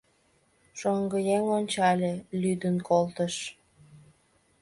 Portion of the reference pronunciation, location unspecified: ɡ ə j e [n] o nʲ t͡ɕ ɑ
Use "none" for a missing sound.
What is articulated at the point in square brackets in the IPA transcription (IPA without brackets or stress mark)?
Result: ŋ